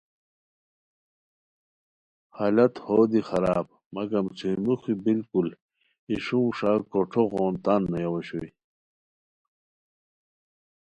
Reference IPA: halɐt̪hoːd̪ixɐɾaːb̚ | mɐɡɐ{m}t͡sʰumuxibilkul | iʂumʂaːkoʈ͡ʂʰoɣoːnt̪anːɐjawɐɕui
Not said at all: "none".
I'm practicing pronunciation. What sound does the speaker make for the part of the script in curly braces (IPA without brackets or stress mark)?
m